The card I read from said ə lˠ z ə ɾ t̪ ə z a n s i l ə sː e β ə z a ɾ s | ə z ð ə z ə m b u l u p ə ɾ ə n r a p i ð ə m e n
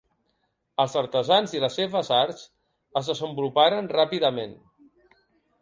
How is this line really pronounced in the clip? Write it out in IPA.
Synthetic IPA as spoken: ə lˠ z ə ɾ t̪ ə z a n z i l ə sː e β ə z a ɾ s | ə z ð ə z ə m b u l u p a ɾ ə n r a p i ð ə m e n

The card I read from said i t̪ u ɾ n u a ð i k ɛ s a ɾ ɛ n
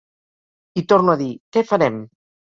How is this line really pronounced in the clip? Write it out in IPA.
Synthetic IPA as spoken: i t̪ o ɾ n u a ð i k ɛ f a ɾ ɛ m

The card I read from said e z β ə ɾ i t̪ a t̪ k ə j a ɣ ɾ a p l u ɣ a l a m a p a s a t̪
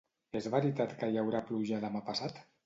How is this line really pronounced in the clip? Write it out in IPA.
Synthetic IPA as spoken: e z β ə ɾ i t̪ a t̪ k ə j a w ɾ a p l u ʒ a l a m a p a s a t̪

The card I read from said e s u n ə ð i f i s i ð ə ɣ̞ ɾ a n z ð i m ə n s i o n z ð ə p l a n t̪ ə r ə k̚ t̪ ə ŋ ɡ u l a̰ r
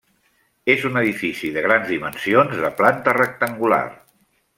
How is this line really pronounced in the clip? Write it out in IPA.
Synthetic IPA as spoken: e z u n ə ð i f i s i ð ə ɣ̞ ɾ a n z ð i m ə n s i o n z ð ə p l a n t̪ ə r ə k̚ t̪ ə ŋ ɡ u l a̰ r

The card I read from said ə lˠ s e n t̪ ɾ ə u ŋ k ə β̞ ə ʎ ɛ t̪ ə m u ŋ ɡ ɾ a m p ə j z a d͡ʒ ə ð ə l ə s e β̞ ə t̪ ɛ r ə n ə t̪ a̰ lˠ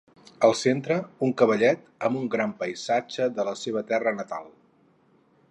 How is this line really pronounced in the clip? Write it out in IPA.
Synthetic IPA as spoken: ə lˠ s e n t̪ ɾ ə u ŋ k ə β̞ ə ʎ ɛ t̪ ə m u ŋ ɡ ɾ a m p ə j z a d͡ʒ ə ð ə l ə s e β̞ ə t̪ ɛ r ə n ə t̪ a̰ lˠ

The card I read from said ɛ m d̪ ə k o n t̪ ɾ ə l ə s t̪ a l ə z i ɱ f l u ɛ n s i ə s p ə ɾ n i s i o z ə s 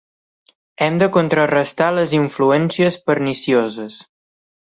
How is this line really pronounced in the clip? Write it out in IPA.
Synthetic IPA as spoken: ɛ m d̪ ə k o n t̪ ɾ ə r ə s t̪ a l ə z i ɱ f l u ɛ n s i ə s p ə ɾ n i s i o z ə s

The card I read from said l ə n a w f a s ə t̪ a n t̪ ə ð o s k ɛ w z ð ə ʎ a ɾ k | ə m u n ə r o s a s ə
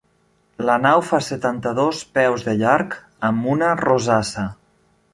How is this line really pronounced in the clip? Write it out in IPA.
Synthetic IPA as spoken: l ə n a w f a s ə t̪ a n t̪ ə ð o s p ɛ w z ð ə ʎ a ɾ k | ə m u n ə r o z a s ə

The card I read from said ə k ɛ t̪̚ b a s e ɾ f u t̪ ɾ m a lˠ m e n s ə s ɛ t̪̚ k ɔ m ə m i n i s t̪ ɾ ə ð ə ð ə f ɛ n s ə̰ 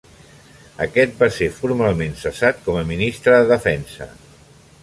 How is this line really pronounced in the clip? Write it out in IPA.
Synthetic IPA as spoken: ə k ɛ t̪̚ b a s e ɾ f u ɾ m a lˠ m e n s ə s a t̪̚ k ɔ m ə m i n i s t̪ ɾ ə ð ə ð ə f ɛ n s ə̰

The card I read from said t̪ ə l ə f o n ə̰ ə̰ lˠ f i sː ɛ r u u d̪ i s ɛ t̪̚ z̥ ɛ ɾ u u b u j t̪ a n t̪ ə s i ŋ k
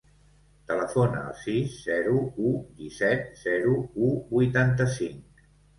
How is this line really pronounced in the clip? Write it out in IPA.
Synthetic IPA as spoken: t̪ ə l ə f o n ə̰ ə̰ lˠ s i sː ɛ ɾ u u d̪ i s ɛ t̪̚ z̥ ɛ ɾ u u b u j t̪ a n t̪ ə s i ŋ k

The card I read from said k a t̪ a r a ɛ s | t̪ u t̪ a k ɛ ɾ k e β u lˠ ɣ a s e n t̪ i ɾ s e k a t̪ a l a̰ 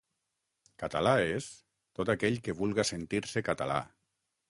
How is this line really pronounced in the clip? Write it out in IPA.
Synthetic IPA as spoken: k a t̪ a l a e s | t̪ o t̪ a k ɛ ʎ k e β u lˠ ɣ a s e n t̪ i ɾ s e k a t̪ a l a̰

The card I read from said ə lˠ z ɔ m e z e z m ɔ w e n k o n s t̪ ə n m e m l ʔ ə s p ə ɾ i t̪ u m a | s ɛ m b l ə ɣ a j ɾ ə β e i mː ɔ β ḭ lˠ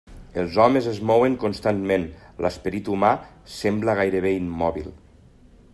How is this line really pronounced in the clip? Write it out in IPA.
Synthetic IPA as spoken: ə lˠ z ɔ m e z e z m ɔ w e ŋ k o n s t̪ a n m e n l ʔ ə s p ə ɾ i t̪ u m a | s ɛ m b l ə ɣ a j ɾ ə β e i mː ɔ β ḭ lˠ

